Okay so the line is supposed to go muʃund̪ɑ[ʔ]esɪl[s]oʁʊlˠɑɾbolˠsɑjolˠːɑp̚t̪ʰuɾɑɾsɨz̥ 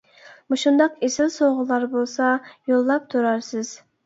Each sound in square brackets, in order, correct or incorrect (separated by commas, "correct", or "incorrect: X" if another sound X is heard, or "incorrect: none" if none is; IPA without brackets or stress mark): incorrect: q, correct